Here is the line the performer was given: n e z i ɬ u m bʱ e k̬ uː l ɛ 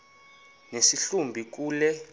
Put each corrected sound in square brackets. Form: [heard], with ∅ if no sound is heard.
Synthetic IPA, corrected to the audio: n e [s] i ɬ u m bʱ [i] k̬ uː l ɛ